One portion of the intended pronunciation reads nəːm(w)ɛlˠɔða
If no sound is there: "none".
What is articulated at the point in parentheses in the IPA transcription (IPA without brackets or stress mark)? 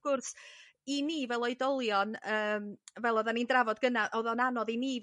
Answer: v